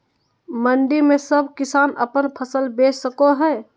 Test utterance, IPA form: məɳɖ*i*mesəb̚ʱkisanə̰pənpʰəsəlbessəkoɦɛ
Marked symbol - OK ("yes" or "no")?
yes